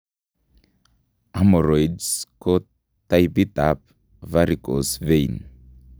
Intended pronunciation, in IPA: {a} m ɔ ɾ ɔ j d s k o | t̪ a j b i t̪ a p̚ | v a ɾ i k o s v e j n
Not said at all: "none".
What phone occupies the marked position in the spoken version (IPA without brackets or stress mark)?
a